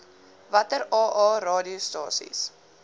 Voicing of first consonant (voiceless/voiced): voiced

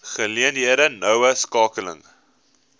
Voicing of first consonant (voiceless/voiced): voiceless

